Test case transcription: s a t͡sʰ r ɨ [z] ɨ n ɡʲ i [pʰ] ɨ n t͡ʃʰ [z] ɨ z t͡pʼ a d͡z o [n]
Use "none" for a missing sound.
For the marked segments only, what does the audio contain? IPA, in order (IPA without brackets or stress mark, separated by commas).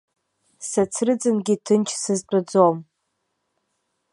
d͡z, tʰ, s, m